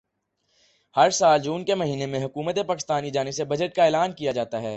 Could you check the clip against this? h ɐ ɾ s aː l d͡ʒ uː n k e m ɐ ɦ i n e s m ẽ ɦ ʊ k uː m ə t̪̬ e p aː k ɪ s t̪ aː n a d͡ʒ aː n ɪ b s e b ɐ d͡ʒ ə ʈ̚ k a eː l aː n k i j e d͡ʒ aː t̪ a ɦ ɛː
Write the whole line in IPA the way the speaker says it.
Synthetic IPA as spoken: h ɐ ɾ s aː l d͡ʒ uː n k e m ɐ ɦ iː n e m ẽ ɦ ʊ k uː m ə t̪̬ e p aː k ɪ s t̪ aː n i d͡ʒ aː n ɪ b s e b ɐ d͡ʒ ə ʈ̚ k a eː l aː n k i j a d͡ʒ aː t̪ a ɦ ɛː